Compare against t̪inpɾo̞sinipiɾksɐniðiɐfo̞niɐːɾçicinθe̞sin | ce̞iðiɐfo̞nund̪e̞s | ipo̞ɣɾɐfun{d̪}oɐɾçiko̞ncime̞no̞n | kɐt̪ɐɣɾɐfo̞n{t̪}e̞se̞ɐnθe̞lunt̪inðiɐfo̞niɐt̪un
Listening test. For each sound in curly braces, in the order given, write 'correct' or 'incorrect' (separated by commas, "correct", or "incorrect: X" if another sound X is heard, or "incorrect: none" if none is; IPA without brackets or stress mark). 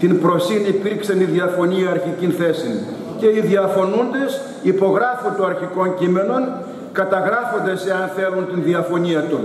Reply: incorrect: t̪, incorrect: d̪